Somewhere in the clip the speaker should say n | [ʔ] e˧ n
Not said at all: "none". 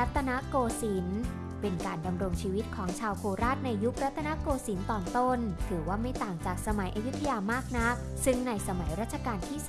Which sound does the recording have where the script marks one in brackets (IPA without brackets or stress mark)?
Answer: p